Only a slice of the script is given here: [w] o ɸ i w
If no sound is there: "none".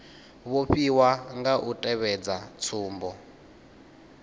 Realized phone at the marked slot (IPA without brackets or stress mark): β